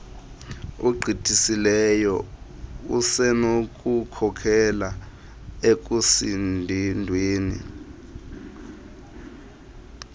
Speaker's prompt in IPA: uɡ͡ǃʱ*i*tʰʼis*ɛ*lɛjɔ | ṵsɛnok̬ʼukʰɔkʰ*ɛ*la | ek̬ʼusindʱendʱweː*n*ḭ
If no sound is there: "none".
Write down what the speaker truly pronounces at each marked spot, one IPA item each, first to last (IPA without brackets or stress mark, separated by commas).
i, i, ɛ, n